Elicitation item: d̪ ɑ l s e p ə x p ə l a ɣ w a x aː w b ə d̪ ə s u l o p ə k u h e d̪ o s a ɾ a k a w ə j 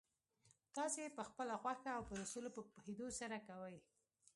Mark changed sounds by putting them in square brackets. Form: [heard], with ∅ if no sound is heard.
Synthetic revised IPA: [t̪] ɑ [∅] s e p ə x p ə l a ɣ w a x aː w [p] ə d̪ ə s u l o p ə [p] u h e d̪ o s a ɾ a k a w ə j